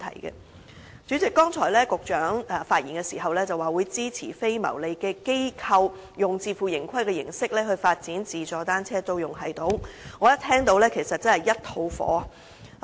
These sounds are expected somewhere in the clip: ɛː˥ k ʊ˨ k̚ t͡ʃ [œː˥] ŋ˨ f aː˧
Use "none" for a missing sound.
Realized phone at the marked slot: œː˨˥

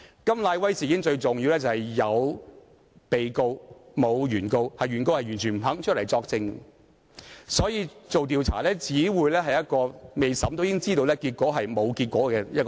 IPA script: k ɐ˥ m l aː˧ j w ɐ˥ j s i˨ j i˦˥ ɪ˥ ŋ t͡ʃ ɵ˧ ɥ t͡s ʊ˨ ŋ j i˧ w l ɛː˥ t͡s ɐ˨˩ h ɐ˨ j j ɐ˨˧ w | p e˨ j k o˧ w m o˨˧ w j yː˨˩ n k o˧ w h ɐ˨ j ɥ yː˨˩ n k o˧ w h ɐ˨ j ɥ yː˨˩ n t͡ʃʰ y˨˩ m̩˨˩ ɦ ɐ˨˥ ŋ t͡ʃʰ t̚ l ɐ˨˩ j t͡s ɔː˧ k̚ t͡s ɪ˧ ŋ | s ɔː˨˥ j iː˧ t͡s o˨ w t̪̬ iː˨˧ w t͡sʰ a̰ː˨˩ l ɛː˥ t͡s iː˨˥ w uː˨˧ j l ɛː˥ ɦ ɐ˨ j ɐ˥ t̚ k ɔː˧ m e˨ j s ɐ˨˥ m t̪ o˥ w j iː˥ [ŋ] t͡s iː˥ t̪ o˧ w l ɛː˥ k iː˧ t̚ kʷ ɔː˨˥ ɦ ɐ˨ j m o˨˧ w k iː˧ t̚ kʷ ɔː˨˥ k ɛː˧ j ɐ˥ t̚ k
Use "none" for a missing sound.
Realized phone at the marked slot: ŋ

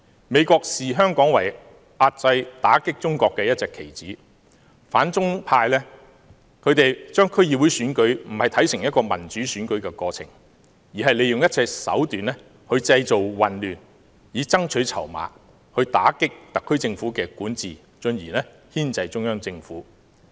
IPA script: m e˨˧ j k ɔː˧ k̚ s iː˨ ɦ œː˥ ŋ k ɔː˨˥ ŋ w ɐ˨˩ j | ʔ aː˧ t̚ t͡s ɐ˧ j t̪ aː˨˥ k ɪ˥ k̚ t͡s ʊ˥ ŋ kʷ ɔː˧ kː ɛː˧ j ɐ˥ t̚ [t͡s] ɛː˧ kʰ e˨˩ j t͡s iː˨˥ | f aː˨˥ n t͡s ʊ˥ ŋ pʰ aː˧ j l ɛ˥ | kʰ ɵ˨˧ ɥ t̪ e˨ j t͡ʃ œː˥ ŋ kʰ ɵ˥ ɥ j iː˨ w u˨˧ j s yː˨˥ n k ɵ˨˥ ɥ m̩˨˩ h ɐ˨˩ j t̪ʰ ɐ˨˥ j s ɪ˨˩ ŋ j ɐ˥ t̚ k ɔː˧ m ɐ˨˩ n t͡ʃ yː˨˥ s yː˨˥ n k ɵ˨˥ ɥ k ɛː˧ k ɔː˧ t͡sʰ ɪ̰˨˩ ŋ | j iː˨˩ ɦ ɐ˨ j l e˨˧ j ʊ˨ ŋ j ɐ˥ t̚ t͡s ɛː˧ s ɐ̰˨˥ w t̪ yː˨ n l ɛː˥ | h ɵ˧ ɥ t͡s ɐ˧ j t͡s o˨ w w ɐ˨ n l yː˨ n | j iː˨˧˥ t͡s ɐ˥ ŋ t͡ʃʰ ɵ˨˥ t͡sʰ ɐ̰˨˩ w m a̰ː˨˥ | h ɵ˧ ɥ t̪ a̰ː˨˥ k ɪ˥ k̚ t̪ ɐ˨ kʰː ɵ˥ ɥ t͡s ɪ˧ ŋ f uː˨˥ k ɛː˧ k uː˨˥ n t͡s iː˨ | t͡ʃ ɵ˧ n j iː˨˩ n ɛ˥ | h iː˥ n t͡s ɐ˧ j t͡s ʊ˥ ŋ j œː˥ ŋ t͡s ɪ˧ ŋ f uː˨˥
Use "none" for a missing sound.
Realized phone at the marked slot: t͡s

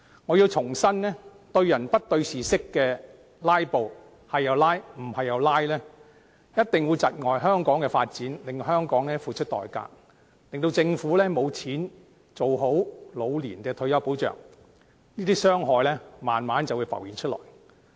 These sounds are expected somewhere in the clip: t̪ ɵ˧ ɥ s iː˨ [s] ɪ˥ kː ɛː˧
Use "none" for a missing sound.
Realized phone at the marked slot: s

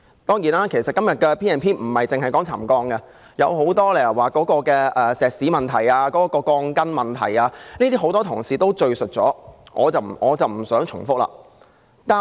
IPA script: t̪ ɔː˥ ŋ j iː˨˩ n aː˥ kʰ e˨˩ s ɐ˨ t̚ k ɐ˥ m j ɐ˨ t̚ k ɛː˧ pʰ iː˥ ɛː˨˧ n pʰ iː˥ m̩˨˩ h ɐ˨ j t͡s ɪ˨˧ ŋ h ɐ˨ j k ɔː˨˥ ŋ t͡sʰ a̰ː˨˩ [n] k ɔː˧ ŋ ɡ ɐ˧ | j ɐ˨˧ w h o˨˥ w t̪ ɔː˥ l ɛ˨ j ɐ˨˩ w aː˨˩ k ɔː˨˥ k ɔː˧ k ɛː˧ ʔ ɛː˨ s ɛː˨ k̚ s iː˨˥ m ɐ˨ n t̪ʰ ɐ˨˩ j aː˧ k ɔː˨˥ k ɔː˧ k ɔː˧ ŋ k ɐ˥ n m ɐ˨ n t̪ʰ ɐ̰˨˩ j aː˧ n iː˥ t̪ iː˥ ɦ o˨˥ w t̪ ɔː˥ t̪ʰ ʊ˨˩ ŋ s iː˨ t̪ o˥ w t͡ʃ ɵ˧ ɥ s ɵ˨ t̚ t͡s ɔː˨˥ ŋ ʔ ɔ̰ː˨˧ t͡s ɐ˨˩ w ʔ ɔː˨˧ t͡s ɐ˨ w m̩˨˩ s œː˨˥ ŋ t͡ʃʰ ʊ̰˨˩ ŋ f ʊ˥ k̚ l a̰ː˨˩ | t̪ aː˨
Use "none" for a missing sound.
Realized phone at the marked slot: m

